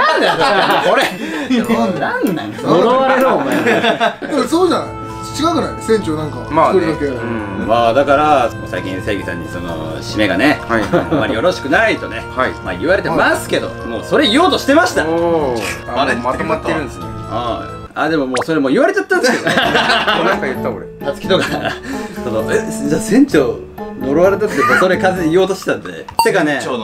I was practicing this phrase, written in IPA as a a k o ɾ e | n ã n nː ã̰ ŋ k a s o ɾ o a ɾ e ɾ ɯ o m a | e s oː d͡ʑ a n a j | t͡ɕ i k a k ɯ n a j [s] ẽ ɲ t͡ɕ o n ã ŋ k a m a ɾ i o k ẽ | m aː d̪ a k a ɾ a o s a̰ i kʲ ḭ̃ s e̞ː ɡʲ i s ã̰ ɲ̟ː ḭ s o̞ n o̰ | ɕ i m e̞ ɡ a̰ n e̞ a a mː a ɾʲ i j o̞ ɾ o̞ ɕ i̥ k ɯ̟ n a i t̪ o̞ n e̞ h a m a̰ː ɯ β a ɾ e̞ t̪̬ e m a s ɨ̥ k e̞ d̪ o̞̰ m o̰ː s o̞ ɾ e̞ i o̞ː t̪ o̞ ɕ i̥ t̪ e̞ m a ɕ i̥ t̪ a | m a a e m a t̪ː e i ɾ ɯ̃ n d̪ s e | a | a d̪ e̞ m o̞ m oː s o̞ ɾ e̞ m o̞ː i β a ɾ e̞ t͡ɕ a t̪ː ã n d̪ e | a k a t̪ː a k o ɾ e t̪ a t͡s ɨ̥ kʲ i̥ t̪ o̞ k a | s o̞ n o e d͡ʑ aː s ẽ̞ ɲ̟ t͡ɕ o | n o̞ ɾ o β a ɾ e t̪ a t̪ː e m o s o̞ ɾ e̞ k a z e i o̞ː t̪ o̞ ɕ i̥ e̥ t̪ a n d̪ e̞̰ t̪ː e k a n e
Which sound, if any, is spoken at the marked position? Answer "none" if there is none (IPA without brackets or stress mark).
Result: s